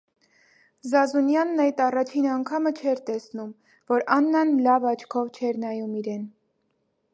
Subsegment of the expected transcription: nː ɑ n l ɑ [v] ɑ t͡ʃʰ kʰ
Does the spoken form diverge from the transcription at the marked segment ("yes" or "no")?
no